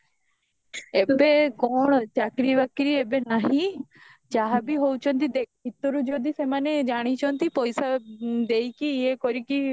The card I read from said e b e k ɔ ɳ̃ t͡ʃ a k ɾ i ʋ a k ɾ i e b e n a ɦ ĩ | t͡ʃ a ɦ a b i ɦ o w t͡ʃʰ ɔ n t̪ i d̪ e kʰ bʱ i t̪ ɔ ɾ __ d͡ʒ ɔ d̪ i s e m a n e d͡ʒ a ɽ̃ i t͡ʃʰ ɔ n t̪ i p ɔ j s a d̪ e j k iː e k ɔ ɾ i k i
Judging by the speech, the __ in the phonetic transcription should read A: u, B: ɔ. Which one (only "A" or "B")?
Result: A